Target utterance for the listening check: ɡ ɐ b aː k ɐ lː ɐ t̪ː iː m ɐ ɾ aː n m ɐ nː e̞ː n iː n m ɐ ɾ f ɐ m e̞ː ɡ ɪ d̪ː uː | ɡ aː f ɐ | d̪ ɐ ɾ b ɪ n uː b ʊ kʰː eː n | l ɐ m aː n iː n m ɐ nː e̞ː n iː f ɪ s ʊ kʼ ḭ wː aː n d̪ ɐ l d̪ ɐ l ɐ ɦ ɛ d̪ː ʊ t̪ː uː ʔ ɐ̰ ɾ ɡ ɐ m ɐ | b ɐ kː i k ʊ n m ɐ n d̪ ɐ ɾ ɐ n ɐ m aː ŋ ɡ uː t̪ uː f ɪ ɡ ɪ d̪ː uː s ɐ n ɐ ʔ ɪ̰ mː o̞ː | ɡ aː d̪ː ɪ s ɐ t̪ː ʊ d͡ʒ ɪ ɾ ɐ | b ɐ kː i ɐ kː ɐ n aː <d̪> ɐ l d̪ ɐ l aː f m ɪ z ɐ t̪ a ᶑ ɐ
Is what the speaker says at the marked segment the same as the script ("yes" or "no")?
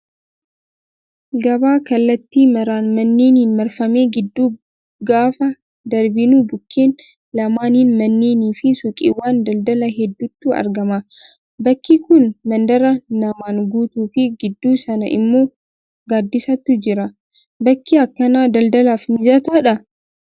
yes